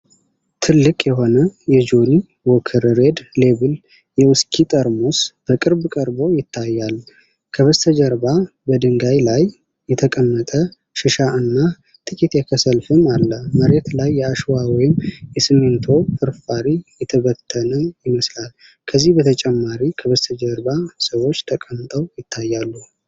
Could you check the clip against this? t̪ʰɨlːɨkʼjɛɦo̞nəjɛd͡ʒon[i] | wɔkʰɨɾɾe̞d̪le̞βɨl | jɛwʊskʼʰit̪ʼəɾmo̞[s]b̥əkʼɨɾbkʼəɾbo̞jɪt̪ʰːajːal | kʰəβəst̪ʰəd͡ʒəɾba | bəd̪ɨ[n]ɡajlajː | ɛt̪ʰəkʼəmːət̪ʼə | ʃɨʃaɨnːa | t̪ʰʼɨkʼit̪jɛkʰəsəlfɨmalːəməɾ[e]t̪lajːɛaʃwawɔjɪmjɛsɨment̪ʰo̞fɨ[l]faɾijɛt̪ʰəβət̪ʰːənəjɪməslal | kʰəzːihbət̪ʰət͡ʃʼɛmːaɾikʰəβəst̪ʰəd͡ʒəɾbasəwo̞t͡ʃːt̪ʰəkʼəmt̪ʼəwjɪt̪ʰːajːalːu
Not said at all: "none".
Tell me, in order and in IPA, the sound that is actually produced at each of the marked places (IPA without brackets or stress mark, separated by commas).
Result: i, s, ŋ, e, ɾ